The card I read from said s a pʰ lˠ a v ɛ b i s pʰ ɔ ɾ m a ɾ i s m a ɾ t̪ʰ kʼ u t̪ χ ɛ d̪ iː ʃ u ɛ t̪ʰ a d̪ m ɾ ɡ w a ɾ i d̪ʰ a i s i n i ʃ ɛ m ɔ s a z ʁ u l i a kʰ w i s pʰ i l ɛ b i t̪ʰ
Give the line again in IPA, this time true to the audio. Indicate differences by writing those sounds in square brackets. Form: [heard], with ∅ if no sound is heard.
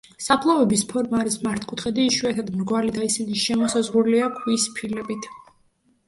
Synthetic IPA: s a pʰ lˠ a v ɛ b i s pʰ ɔ ɾ m a ɾ i s m a ɾ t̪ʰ kʼ u t̪ χ ɛ d̪ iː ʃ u ɛ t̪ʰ a d̪ m ɾ ɡ w a [l] i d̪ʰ a i s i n i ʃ ɛ m ɔ s a z ʁ u l i a kʰ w i s pʰ i l ɛ b i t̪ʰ